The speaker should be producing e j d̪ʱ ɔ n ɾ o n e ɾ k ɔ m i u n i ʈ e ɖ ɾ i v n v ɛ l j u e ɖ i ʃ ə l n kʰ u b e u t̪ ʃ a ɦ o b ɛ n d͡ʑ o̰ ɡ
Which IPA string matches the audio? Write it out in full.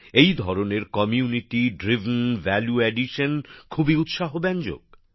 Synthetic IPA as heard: e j d̪ʱ ɔ ɾ o n e ɾ k ɔ m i u n i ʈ i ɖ ɾ i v n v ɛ l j u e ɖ i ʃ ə n kʰ u b i u t̪ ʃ a ɦ o b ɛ n d͡ʑ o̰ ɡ